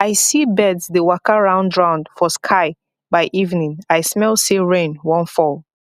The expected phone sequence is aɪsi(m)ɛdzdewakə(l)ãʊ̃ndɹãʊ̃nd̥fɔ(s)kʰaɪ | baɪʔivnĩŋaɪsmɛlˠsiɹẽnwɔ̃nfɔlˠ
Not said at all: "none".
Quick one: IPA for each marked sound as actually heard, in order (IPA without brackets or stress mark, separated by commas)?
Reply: b, ɹ, s